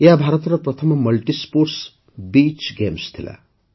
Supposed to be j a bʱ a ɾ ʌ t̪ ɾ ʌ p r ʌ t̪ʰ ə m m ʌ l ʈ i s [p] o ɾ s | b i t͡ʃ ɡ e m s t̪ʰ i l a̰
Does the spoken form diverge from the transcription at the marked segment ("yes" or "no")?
no